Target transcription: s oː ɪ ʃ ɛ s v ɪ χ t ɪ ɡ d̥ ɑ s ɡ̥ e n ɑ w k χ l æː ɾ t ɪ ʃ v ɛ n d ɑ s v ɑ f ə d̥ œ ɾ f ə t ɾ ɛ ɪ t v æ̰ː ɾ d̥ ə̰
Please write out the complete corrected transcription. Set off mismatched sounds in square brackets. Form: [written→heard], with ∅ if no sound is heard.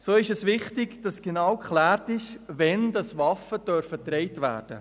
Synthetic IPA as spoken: s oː ɪ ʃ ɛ s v ɪ χ t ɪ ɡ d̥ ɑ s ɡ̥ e n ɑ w k χ l æː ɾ t ɪ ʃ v ɛ n d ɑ s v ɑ f ə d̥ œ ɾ f ə t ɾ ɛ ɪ t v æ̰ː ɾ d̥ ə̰